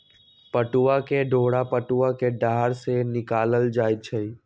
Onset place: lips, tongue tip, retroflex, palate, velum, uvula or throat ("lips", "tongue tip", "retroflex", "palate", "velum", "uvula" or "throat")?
lips